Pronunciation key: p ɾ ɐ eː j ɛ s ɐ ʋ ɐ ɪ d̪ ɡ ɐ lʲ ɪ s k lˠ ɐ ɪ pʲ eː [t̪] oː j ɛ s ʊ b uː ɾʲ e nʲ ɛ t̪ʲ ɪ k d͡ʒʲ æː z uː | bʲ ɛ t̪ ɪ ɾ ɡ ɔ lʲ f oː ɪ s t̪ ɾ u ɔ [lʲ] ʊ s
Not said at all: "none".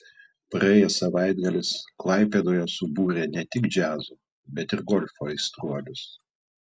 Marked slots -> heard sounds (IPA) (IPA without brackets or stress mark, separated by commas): d̪, lʲ